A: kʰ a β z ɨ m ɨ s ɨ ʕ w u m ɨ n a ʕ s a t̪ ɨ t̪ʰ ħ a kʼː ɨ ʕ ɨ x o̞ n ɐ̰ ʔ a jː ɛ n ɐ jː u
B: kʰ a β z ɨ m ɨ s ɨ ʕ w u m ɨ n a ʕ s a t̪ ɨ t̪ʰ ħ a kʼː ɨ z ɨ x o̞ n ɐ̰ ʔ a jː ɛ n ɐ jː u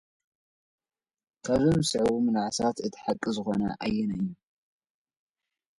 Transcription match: B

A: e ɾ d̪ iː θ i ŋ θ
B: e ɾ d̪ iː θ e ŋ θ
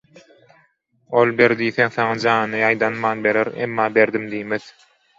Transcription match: B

